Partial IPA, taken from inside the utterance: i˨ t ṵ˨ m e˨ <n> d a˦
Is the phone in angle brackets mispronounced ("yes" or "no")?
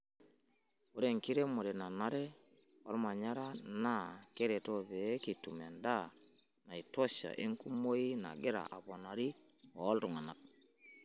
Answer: no